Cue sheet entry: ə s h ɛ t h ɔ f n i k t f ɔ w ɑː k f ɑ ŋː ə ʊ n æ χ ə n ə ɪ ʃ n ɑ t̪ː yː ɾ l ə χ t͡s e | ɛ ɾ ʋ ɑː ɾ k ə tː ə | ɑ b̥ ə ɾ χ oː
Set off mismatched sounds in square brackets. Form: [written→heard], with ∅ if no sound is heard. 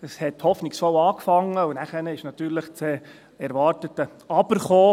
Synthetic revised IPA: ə s h ɛ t h ɔ f n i k [t→s] f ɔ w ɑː k f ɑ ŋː ə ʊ n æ χ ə n ə ɪ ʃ n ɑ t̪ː yː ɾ l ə χ t͡s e | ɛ ɾ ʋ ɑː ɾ [k→t] ə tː ə | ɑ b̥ ə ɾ χ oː